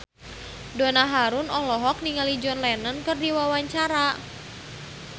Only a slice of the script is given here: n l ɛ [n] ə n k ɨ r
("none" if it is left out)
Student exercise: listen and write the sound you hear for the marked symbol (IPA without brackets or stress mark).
n